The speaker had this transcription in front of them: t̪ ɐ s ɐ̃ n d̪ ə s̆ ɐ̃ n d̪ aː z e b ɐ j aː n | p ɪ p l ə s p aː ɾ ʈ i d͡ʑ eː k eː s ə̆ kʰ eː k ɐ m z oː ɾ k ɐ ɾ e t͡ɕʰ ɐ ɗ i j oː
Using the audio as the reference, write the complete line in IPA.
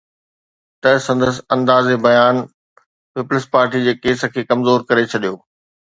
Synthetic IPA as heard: t̪ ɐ s ɐ̃ n d̪ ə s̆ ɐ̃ n d̪ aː z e b ɐ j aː n | p ɪ p l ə s p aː ɾ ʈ i d͡ʑ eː k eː s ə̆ kʰ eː k ɐ m z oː ɾ k ɐ ɾ e t͡ɕʰ ɐ ɗ i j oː